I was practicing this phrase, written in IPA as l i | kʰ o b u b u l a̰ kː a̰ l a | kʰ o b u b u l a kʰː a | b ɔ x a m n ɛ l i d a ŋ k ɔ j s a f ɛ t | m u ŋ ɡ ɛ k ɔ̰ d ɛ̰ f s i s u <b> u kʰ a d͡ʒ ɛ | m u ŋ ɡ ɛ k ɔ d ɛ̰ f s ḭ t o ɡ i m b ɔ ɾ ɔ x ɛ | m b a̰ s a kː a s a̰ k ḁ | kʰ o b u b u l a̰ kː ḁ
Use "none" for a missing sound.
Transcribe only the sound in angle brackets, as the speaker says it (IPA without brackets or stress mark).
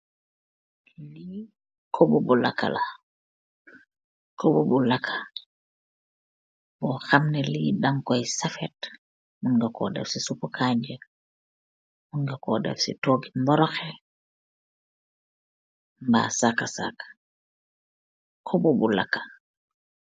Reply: p